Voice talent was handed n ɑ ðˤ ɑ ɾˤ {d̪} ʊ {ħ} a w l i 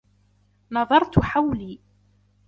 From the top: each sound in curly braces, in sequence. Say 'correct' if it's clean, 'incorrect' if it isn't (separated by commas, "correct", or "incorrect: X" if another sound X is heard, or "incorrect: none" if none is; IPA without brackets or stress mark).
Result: incorrect: t̪, correct